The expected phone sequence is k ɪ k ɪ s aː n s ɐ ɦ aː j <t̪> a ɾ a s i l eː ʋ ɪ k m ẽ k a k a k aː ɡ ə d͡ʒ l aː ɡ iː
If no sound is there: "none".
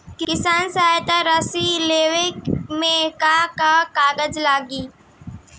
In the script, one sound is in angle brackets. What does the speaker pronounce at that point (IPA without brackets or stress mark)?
t̪